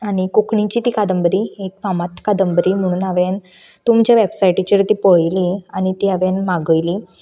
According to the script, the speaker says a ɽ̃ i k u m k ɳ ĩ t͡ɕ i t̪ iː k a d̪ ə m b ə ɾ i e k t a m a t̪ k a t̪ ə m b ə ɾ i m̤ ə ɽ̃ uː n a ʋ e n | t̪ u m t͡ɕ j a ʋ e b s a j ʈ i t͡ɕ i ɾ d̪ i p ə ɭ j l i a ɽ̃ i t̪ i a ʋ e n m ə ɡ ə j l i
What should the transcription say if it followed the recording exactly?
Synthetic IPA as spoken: a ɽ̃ i k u k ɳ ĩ t͡ɕ i t̪ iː k a d̪ ə m b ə ɾ i e k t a m a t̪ k a d̪ ə m b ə ɾ i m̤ ə ɽ̃ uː n a ʋ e n | t̪ u m t͡ɕ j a ʋ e b s a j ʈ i t͡ɕ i ɾ t̪ i p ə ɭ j l i a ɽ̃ i t̪ i a ʋ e n m a ɡ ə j l i